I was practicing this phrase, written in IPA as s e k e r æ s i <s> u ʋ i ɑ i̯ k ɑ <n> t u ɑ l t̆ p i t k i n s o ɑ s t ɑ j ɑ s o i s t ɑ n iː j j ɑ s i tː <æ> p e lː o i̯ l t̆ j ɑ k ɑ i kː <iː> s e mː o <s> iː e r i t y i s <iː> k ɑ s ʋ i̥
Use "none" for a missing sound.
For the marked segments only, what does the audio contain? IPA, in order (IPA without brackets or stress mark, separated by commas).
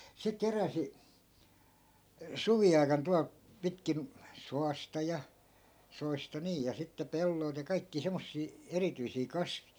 s, n, e, iː, sː, iː